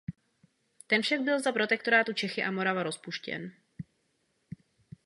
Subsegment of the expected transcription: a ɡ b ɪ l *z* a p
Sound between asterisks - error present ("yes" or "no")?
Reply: no